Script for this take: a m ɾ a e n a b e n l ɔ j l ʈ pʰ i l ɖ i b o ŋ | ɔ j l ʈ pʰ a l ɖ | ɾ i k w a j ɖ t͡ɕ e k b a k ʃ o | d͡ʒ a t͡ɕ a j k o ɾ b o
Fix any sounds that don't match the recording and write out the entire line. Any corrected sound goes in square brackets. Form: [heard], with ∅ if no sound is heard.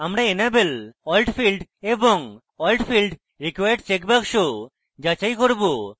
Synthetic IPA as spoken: a m ɾ a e n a b e [∅] l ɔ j l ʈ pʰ i l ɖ [e] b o ŋ | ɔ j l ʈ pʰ [i] l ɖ | ɾ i k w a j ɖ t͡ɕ e k b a k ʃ o | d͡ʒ a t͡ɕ a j k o ɾ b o